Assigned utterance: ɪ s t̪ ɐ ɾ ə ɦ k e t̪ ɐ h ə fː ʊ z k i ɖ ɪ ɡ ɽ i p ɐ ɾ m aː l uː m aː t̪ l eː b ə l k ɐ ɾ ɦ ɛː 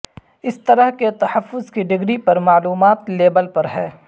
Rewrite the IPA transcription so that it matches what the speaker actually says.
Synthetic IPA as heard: ɪ s t̪ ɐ ɾ ə ɦ k e t̪ ɐ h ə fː ʊ z k i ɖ ɪ ɡ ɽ i p ɐ ɾ m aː l uː m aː t̪ l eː b ə l p ɐ ɾ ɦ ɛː